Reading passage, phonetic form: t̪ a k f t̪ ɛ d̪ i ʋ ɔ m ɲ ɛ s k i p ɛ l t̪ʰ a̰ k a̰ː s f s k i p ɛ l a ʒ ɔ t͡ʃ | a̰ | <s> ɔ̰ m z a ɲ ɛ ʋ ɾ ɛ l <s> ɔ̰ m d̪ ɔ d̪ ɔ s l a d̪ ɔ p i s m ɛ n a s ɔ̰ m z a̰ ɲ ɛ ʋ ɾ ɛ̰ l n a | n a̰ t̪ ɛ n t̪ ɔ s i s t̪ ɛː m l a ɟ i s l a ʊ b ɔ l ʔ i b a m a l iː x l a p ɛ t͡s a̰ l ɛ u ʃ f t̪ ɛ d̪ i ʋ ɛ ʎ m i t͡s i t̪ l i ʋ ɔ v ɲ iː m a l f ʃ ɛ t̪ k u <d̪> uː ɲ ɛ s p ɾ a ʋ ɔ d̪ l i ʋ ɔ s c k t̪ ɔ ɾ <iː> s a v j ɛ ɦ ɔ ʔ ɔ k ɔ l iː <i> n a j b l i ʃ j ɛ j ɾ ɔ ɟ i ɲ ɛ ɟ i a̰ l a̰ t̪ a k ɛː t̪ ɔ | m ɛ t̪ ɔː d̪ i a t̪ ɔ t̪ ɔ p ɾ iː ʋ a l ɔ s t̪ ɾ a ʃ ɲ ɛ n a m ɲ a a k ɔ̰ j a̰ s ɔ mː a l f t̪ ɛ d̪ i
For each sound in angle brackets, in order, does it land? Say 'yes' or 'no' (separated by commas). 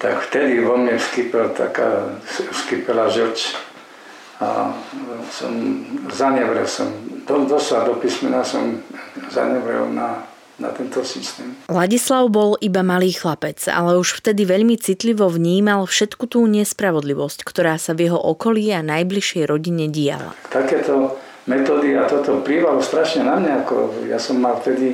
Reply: yes, yes, no, no, no